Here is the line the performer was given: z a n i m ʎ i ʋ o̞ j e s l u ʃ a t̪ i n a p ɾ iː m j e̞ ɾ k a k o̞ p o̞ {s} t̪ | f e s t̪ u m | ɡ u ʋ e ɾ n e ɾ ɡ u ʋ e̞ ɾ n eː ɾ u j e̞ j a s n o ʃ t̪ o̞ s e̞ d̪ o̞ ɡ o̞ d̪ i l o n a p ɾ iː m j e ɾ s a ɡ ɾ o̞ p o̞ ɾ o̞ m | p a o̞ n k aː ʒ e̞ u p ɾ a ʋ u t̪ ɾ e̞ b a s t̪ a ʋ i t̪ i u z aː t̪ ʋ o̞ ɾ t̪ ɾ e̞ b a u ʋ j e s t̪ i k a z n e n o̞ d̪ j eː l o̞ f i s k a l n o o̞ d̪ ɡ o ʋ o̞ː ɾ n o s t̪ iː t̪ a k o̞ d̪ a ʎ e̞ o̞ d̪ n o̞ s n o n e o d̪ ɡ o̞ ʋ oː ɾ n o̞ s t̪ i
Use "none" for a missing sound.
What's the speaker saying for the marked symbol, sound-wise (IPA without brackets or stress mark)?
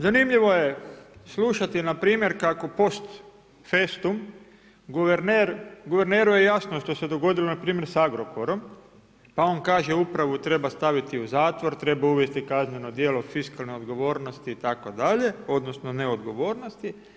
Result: s